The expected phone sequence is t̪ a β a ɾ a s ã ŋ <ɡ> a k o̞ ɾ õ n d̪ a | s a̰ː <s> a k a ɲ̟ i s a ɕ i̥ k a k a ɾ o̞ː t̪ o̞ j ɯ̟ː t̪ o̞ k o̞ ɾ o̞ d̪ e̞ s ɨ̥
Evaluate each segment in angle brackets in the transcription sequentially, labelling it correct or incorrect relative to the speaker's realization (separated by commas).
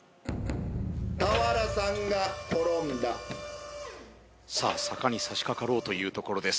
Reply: correct, correct